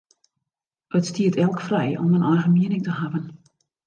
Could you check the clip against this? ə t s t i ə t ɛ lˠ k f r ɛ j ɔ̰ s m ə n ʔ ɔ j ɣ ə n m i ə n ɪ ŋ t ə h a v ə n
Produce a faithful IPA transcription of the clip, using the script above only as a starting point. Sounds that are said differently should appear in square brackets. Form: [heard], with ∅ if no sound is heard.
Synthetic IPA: ə t s t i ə t ɛ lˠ k f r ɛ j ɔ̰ [∅] m ə n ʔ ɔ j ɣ ə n m i ə n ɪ ŋ t ə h a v ə n